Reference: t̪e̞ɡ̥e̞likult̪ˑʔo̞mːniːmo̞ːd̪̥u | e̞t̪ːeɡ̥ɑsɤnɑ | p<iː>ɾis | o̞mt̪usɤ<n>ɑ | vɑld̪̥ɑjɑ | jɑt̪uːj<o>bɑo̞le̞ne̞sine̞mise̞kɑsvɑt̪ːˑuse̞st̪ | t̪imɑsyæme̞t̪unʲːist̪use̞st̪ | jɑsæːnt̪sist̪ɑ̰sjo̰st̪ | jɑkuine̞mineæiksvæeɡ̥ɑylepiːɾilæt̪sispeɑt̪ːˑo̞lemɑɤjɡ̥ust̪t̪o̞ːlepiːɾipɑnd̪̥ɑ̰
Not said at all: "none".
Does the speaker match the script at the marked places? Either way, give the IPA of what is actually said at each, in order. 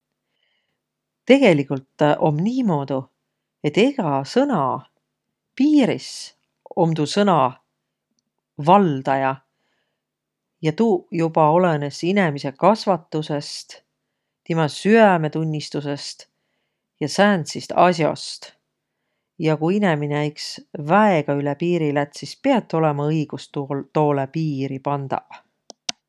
iː, n, u

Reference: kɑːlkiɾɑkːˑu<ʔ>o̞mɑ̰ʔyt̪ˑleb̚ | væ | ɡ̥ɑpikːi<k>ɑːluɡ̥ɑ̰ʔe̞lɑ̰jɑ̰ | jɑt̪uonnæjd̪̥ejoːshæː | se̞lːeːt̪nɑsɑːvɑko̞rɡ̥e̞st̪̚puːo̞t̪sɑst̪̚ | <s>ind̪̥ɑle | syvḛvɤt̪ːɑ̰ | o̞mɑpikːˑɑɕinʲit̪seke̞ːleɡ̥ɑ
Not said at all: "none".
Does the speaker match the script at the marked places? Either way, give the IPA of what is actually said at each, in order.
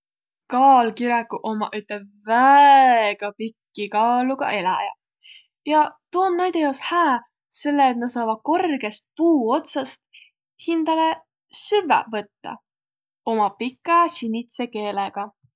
ʔ, k, h

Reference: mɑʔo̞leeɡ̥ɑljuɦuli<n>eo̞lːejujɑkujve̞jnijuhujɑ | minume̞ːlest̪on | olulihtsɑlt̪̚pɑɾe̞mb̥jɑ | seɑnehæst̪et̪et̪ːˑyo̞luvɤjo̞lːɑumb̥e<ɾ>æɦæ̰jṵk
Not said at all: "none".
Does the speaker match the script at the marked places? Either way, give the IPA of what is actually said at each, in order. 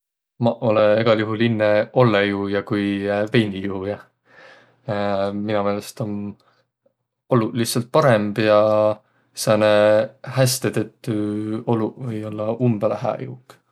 nː, l

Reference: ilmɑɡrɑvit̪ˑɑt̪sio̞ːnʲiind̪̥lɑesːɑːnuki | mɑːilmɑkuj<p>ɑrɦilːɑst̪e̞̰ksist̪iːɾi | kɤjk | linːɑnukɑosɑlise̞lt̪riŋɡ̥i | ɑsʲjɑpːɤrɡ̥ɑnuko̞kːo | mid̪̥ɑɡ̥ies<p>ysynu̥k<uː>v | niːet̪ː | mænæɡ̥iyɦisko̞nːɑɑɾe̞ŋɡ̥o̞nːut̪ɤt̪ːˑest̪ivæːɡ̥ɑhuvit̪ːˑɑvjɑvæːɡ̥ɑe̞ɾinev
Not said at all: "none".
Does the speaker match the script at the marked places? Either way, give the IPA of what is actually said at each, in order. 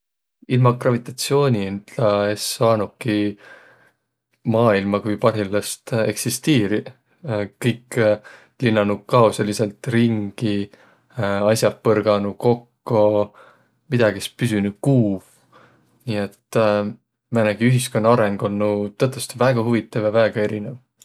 p, p, uː

